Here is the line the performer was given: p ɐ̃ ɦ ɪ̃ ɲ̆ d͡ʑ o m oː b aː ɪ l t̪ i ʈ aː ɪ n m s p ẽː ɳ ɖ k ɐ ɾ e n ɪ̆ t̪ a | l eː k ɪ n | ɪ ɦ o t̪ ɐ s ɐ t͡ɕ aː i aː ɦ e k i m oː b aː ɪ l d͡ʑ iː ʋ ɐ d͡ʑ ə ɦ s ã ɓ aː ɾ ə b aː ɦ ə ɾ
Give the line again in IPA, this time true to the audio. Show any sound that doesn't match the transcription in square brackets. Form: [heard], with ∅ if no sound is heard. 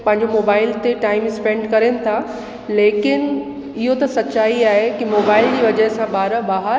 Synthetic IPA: p ɐ̃ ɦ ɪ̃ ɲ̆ d͡ʑ o m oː b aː ɪ l t̪ [e] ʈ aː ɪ [∅] m s p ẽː ɳ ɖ k ɐ ɾ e n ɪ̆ [t̪ʰ] a | l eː k ɪ n | ɪ ɦ o t̪ ɐ s ɐ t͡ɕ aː i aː ɦ e k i m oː b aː ɪ l d͡ʑ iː ʋ ɐ d͡ʑ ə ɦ s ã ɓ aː ɾ ə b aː ɦ ə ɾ

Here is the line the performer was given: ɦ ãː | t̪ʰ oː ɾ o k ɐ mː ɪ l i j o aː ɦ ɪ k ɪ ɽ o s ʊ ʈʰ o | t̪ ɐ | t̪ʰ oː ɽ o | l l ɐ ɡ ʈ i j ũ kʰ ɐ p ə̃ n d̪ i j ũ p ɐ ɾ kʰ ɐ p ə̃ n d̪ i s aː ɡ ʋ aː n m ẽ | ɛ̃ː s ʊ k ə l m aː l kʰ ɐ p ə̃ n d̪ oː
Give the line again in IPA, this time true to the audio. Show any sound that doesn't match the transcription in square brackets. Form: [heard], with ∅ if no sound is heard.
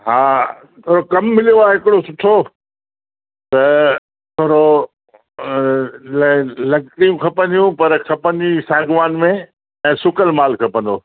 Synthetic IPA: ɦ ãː | t̪ʰ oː ɾ o k ɐ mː ɪ l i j o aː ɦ ɪ k ɪ ɽ o s ʊ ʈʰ o | t̪ ɐ | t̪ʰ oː [ɾ] o | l l ɐ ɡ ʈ i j ũ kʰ ɐ p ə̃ n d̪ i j ũ p ɐ ɾ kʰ ɐ p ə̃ n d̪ i s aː ɡ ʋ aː n m ẽ | ɛ̃ː s ʊ k ə l m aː l kʰ ɐ p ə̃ n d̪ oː

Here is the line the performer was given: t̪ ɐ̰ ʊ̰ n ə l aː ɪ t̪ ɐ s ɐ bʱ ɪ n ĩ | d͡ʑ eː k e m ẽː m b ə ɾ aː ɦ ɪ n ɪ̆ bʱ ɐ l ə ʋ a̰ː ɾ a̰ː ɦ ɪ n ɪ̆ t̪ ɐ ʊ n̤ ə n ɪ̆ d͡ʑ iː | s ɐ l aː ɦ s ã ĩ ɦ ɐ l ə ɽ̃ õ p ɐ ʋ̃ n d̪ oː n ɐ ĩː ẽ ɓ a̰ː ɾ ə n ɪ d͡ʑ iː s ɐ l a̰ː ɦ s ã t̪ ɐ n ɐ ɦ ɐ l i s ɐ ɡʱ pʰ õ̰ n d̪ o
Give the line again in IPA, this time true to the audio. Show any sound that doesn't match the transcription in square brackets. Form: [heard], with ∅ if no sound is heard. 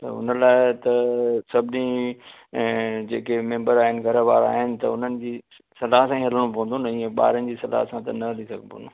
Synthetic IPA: t̪ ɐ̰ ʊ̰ n ə l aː ɪ t̪ ɐ s ɐ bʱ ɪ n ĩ | d͡ʑ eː k e m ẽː m b ə ɾ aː ɦ ɪ n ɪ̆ [ɡʱ] ɐ [ɾ] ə ʋ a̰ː ɾ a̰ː ɦ ɪ n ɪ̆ t̪ ɐ ʊ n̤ ə n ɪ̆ d͡ʑ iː | s ɐ l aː ɦ s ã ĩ ɦ ɐ l ə ɽ̃ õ p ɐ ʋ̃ n d̪ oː n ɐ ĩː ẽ ɓ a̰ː ɾ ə n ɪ d͡ʑ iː s ɐ l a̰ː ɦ s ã t̪ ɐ n ɐ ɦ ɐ l i s ɐ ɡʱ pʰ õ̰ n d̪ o

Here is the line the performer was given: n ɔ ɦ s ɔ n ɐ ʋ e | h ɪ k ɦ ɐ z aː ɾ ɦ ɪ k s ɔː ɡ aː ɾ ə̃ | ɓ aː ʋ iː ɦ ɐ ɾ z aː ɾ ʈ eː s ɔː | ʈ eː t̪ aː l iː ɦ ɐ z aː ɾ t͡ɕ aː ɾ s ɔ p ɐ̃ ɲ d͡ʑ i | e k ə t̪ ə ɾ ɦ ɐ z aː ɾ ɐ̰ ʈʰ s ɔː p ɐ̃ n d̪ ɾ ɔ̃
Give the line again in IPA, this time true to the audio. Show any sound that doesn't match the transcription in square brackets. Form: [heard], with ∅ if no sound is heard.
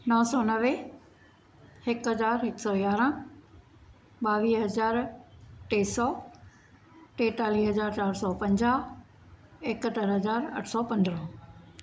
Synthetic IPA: n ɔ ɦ s ɔ n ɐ ʋ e | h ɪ k ɦ ɐ z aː ɾ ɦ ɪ k s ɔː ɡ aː ɾ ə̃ | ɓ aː ʋ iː ɦ ɐ [∅] z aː ɾ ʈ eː s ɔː | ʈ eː t̪ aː l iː ɦ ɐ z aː ɾ t͡ɕ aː ɾ s ɔ p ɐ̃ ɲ d͡ʑ [a] | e k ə t̪ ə ɾ ɦ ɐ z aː ɾ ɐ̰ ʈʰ s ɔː p ɐ̃ n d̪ ɾ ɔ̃

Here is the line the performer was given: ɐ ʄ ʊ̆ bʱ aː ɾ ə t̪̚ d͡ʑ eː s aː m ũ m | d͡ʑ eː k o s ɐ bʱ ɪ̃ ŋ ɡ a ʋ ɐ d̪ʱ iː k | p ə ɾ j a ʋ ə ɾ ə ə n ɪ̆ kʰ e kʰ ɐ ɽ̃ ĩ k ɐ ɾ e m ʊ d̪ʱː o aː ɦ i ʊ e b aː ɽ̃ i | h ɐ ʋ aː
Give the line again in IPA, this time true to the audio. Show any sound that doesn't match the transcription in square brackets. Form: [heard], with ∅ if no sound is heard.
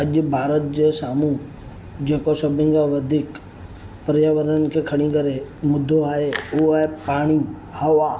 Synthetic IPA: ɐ ʄ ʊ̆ bʱ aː ɾ ə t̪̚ d͡ʑ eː s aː m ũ [∅] | d͡ʑ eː k o s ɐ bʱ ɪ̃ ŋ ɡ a ʋ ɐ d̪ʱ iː k | p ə ɾ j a ʋ ə ɾ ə ə n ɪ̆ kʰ e kʰ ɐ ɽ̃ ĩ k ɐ ɾ e m ʊ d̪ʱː o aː ɦ [e] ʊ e [p] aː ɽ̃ i | h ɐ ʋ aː

